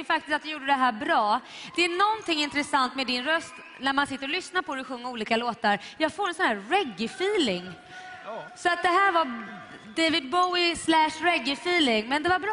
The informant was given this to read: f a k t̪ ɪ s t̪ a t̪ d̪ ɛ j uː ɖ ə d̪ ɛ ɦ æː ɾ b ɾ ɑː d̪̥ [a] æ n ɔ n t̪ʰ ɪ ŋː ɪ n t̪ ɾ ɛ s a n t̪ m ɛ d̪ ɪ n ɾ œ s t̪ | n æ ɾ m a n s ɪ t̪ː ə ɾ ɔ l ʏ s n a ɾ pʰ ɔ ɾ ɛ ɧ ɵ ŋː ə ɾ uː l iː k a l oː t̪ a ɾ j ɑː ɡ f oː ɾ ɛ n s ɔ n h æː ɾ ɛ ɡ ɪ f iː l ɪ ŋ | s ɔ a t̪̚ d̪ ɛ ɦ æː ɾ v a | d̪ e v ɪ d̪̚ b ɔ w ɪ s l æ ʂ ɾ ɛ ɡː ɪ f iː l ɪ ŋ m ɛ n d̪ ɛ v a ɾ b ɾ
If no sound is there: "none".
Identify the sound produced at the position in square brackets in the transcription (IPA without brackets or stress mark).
ɛ